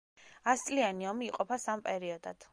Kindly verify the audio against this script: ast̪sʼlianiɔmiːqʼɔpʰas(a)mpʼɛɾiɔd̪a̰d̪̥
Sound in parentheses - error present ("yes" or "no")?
no